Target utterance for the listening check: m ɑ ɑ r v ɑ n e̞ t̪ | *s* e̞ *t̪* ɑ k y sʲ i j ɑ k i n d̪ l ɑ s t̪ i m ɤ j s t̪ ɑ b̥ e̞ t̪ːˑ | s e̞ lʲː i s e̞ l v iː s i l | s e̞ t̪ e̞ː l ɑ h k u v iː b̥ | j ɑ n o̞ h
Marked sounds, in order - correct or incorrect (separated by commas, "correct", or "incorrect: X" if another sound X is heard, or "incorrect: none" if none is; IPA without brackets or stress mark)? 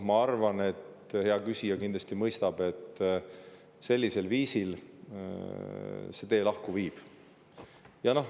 incorrect: h, incorrect: none